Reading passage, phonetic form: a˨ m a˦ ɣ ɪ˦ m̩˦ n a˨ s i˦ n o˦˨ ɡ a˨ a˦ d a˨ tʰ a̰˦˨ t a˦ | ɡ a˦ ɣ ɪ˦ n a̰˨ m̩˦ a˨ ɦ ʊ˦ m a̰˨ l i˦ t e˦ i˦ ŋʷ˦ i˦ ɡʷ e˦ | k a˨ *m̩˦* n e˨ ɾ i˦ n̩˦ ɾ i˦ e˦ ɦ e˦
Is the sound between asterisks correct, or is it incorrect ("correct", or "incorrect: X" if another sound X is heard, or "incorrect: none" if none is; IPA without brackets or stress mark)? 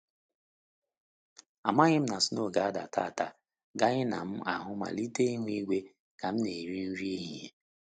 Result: correct